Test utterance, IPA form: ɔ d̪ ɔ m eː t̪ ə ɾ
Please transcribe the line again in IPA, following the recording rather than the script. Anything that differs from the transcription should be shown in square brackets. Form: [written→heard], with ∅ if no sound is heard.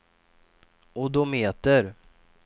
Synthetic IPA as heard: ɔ d̪ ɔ m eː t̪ ə ɾ